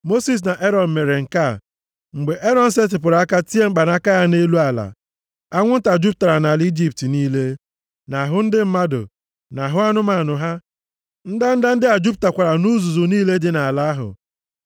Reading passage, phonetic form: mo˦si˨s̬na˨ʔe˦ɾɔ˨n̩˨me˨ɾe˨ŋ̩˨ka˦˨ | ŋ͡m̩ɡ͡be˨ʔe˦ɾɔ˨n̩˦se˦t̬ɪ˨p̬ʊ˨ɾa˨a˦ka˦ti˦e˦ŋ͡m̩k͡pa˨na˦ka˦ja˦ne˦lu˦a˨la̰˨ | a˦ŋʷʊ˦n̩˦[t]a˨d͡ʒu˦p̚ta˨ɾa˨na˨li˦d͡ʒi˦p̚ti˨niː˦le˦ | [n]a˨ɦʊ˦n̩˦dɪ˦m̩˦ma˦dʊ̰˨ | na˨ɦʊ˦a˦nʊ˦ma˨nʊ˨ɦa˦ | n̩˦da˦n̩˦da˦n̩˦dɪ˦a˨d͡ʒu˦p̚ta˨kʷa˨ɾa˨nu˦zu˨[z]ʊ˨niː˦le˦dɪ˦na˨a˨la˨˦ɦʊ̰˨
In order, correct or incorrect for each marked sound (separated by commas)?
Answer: correct, correct, correct